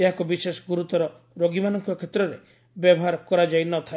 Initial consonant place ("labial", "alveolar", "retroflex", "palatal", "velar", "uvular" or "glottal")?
glottal